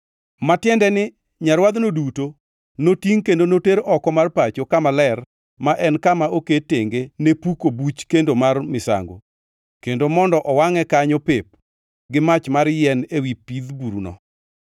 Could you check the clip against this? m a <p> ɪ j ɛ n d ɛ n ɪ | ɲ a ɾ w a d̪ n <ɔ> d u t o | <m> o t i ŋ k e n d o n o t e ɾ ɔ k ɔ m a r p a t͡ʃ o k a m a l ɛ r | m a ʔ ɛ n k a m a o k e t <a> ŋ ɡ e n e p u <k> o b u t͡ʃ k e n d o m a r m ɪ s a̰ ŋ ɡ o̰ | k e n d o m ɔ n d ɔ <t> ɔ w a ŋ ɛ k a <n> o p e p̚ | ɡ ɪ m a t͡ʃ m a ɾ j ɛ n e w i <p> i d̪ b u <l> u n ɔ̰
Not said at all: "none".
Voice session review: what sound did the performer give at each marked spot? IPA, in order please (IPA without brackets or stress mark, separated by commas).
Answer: t, o, n, e, k, ʔ, ɲ, p, ɾ